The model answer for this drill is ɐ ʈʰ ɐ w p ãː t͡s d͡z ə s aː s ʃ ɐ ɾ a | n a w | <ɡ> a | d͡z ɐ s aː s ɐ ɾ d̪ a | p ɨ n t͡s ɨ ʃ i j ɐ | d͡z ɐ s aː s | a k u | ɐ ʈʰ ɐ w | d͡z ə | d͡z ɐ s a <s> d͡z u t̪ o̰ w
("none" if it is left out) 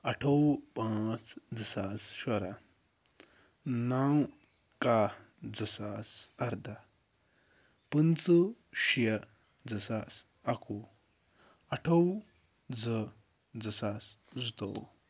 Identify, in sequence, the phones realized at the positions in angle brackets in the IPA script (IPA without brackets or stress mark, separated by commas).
k, s